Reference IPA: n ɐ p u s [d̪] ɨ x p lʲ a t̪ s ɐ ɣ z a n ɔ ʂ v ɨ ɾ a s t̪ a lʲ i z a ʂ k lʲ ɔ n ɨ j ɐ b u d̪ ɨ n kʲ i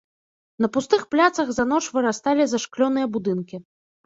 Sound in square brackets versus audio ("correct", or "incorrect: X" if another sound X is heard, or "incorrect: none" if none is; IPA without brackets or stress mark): incorrect: t̪